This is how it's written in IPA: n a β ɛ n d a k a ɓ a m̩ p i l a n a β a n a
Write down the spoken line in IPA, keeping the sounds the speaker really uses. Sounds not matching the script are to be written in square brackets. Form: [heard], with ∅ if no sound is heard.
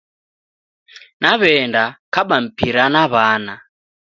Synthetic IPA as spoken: n a β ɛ n d a k a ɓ a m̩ p i [ɾ] a n a β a n a